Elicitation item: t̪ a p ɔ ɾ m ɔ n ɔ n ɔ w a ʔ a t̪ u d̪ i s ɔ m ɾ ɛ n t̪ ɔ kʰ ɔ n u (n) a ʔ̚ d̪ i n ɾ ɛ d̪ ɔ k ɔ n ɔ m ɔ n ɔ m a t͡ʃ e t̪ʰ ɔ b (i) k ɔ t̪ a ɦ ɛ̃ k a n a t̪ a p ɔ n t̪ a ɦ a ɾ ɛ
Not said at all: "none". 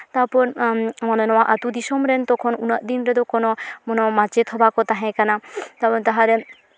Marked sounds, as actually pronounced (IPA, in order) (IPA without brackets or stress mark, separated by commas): n, a